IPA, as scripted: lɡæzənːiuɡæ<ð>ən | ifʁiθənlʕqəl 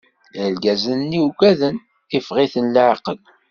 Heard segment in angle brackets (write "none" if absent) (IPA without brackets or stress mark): ð